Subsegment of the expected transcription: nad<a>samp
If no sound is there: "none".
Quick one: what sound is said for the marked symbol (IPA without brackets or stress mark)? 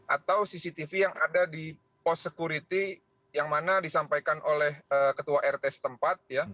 i